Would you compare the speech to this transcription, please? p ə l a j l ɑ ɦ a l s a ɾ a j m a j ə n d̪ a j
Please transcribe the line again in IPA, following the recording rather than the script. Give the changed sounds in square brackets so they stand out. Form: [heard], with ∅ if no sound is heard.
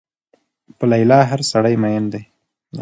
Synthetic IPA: p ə l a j l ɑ ɦ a [ɾ] s a [ɽ] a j m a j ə n d̪ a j